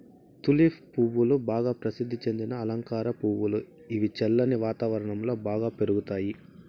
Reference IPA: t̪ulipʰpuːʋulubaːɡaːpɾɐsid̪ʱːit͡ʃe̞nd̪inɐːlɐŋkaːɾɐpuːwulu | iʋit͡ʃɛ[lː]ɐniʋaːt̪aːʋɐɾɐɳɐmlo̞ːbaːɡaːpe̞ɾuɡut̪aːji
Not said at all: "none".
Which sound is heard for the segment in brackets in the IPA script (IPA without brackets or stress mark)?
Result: lː